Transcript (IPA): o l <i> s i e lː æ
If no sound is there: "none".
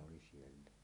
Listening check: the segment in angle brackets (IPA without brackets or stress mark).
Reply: i